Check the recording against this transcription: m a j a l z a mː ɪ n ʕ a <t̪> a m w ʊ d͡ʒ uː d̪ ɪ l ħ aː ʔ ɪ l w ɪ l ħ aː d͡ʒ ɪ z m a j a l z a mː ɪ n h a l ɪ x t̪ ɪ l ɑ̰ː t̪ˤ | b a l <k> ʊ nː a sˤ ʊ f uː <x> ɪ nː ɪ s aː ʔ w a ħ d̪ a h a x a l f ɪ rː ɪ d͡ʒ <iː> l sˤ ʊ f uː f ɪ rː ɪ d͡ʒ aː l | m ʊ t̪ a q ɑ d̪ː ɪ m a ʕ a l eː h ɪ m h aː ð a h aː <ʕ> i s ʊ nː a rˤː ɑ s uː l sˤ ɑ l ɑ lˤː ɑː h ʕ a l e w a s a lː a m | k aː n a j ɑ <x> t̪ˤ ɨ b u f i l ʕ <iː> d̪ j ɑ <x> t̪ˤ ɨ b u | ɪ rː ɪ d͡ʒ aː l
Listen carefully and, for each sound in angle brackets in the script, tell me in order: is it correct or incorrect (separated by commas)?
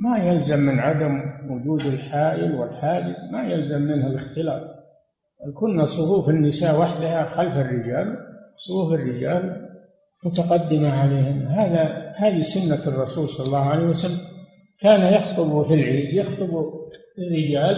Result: incorrect, correct, incorrect, incorrect, incorrect, correct, correct, correct